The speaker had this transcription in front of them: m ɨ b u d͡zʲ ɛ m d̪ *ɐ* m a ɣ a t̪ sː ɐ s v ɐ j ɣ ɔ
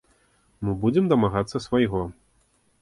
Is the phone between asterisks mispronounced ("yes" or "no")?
no